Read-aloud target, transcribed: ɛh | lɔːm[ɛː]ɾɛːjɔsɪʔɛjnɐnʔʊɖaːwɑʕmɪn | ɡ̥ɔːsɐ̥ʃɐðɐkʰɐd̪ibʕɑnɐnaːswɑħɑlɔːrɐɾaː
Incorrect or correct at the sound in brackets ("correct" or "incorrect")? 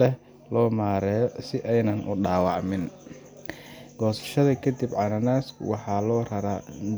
incorrect